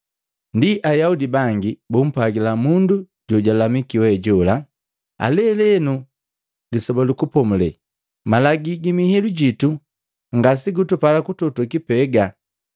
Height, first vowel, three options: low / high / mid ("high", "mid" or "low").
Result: high